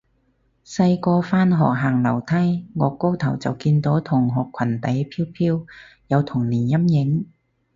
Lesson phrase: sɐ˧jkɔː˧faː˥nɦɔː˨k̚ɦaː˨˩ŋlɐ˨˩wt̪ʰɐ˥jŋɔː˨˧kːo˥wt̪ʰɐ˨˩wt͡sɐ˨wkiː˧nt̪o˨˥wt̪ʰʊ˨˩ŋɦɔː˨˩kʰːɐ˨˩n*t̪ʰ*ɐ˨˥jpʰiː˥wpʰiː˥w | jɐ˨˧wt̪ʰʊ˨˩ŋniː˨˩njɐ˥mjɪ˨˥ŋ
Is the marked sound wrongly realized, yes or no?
yes